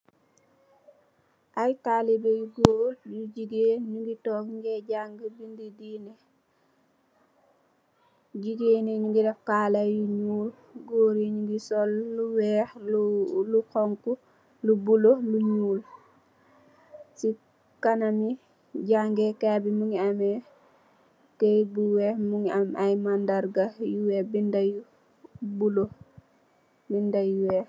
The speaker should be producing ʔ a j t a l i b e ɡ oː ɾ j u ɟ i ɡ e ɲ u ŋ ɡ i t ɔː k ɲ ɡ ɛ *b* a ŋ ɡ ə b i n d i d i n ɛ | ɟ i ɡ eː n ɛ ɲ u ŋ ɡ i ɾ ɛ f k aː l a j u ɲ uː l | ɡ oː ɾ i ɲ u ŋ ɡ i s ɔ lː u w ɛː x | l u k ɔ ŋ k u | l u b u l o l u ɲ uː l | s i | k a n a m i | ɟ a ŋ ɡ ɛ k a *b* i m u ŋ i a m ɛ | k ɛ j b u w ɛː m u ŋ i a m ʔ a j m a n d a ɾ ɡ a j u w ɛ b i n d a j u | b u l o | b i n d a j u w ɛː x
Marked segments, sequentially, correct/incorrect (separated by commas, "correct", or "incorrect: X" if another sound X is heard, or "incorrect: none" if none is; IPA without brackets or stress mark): incorrect: ɟ, correct